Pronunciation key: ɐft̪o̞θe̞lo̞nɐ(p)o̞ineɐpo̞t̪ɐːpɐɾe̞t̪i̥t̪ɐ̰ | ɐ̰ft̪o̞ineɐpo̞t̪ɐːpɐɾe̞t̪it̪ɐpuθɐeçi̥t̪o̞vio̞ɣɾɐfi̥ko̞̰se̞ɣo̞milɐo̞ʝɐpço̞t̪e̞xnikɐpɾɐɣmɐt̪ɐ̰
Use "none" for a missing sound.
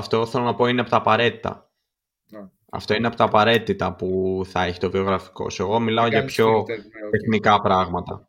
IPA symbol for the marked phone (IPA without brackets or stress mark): p